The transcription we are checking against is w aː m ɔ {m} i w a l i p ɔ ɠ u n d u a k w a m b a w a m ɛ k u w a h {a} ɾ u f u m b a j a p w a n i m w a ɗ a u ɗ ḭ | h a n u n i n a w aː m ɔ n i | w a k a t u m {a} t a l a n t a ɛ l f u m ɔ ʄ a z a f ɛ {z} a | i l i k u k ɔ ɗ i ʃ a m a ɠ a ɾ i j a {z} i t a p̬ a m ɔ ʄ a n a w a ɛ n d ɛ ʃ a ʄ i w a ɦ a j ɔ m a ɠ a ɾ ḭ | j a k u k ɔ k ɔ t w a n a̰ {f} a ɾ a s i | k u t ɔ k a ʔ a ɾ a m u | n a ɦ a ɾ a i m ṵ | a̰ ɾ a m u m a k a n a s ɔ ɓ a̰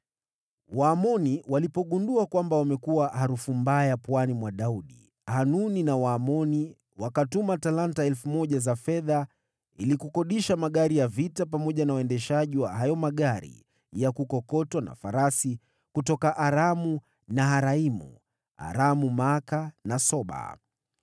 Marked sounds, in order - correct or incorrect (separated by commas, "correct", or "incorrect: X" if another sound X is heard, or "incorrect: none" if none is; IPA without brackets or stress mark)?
incorrect: n, correct, correct, incorrect: ð, incorrect: v, correct